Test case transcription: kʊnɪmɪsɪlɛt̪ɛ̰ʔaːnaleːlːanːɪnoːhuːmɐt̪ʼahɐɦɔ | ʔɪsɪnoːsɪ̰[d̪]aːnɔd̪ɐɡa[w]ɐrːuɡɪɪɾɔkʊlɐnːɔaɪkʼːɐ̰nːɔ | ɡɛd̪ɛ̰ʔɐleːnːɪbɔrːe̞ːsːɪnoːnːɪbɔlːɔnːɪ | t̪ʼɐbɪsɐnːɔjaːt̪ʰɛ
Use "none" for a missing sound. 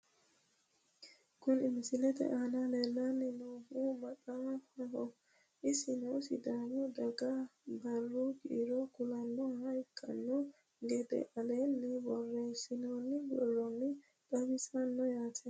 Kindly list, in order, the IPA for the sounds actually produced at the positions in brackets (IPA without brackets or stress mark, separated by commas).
d̪, b